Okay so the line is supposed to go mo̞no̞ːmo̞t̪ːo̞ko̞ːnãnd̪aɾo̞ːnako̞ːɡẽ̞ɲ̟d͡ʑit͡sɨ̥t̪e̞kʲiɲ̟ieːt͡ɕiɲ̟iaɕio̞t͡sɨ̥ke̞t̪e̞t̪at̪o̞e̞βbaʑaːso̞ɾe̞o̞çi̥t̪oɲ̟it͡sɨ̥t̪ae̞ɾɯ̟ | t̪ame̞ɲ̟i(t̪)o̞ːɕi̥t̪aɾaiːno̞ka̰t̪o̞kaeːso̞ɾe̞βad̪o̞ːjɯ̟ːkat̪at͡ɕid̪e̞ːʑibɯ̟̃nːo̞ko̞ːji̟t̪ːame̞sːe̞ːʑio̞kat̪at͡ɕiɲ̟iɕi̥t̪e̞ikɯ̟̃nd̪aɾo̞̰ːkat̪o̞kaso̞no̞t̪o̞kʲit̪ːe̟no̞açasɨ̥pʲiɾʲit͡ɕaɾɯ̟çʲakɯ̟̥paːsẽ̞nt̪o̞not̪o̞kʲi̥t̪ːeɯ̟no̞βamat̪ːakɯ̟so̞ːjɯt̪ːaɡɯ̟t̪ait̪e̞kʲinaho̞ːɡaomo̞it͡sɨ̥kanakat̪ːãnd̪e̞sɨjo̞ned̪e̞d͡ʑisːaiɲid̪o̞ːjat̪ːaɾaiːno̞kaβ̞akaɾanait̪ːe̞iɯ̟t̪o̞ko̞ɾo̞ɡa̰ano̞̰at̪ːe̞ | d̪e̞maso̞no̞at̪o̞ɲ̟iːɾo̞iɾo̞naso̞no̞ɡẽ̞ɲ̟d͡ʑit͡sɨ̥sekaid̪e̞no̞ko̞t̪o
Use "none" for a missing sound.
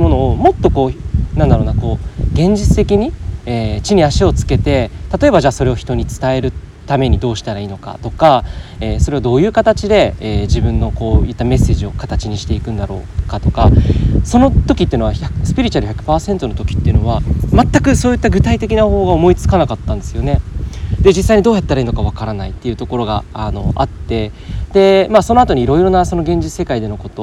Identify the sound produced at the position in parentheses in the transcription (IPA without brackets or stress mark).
d̪